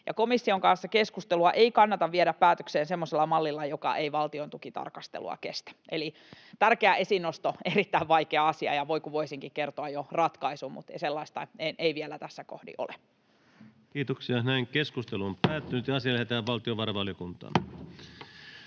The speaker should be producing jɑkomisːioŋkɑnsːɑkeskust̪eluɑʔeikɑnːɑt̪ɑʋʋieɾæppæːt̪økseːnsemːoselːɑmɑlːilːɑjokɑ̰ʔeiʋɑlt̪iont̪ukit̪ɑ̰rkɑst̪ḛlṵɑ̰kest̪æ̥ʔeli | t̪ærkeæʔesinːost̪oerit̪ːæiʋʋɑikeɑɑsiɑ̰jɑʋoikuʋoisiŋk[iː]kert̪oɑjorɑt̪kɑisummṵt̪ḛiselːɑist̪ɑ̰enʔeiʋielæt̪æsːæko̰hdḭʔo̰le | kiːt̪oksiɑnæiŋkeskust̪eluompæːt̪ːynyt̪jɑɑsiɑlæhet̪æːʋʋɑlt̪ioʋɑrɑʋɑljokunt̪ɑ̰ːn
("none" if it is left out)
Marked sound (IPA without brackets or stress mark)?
i